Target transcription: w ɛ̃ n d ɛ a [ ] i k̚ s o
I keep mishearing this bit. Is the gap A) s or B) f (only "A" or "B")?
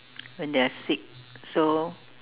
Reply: A